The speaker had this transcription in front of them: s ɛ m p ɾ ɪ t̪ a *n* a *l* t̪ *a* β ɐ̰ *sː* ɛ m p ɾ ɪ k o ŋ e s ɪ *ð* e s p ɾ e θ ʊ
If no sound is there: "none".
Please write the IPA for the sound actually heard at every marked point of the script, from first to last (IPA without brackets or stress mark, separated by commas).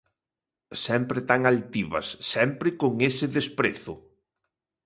ŋ, l, i, sː, ð